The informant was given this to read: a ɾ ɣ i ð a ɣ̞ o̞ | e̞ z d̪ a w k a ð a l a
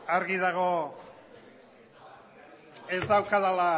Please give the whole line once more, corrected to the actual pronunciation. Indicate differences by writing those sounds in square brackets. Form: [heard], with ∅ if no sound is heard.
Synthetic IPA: a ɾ ɣ i ð a ɣ̞ o̞ | e̞ z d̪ a w k a ð a l a